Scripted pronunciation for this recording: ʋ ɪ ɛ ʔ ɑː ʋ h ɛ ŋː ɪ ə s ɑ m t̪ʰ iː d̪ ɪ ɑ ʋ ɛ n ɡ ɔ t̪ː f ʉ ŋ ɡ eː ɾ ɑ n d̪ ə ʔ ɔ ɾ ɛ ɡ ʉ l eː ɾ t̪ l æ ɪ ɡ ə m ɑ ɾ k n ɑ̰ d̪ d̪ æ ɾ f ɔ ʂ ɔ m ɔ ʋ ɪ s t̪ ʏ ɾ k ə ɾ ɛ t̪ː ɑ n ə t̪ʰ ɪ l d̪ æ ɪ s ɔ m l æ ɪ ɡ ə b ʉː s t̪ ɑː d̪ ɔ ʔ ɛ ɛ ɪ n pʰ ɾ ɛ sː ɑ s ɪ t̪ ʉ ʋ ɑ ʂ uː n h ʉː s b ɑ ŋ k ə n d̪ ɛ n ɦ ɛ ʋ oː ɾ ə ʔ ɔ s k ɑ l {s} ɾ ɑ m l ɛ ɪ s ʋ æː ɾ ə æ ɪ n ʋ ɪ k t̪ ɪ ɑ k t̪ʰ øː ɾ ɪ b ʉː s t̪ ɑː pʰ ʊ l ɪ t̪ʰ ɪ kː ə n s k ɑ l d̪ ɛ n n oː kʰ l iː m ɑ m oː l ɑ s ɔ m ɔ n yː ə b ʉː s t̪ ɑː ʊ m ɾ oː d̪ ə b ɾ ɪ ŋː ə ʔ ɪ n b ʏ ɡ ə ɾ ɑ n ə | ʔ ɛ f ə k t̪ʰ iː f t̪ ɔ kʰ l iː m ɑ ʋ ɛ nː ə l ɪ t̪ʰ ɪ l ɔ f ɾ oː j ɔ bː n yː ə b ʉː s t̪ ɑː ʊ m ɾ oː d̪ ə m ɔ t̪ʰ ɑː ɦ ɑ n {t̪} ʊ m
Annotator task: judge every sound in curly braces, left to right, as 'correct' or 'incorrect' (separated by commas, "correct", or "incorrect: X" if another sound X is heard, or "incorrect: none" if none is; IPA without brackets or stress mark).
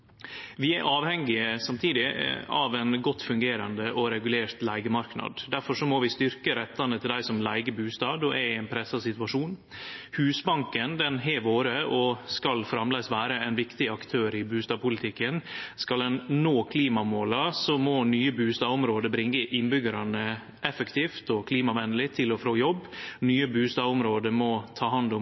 incorrect: f, incorrect: d̪